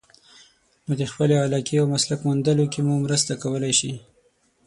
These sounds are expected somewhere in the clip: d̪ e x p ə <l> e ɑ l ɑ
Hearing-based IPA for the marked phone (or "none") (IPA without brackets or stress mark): l